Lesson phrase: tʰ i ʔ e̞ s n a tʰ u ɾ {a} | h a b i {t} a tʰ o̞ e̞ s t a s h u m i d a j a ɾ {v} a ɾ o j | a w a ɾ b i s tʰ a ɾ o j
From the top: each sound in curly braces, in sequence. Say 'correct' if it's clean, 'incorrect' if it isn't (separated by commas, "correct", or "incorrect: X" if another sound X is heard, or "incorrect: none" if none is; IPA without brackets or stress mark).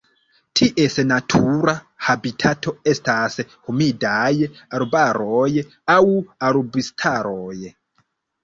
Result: correct, incorrect: tʰ, incorrect: b